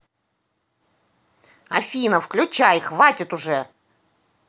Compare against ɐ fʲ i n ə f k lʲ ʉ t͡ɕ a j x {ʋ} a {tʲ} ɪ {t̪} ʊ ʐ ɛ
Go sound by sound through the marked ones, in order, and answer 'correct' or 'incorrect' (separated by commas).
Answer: incorrect, correct, correct